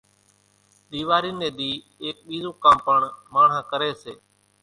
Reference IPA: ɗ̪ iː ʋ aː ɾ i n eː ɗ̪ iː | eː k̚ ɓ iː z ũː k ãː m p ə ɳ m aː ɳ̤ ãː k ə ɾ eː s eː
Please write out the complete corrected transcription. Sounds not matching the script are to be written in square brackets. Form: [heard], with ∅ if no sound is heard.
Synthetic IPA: ɗ̪ iː ʋ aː ɾ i n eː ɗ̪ iː | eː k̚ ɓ iː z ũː k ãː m p ə ɳ m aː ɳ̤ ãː k ə ɾ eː s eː